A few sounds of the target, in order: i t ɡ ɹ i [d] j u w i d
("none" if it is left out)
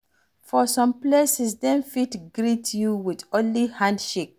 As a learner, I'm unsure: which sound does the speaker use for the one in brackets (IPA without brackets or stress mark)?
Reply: t